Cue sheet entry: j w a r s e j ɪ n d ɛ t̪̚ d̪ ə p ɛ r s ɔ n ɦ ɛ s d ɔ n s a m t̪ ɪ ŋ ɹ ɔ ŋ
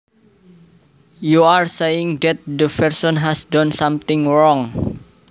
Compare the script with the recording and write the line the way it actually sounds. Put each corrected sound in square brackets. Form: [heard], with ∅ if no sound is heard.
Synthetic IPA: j [u] a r s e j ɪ [ŋ] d ɛ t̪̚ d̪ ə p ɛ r s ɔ n ɦ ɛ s d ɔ n s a m t̪ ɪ ŋ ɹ ɔ ŋ